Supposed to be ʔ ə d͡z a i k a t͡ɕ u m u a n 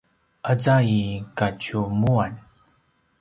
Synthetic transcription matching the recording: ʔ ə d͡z a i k a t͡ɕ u m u a n